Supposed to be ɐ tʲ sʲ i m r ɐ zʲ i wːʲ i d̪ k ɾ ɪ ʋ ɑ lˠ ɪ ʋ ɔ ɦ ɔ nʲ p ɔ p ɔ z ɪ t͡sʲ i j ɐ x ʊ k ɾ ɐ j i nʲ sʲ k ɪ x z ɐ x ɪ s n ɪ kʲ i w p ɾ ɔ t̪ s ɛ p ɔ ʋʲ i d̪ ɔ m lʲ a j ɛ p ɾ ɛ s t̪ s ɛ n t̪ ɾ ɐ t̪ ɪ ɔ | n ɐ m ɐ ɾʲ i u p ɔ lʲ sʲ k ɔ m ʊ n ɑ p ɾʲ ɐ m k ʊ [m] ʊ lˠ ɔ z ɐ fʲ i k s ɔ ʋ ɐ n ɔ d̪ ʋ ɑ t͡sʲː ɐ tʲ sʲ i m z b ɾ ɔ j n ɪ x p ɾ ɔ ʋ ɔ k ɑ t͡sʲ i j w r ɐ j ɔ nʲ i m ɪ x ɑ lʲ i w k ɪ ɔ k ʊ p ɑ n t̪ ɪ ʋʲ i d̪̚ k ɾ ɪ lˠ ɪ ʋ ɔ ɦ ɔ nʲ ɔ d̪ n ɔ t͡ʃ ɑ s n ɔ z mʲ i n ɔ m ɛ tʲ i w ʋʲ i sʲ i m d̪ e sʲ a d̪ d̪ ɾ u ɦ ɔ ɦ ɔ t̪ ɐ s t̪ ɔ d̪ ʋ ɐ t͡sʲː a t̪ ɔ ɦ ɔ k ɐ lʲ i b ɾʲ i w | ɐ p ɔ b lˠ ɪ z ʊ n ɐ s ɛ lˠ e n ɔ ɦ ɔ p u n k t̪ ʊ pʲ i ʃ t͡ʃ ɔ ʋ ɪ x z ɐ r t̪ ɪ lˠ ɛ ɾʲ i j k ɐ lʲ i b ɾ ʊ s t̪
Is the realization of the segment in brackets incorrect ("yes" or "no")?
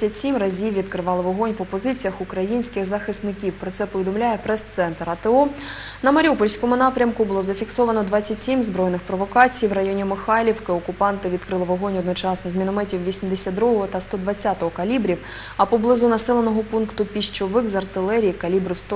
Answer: yes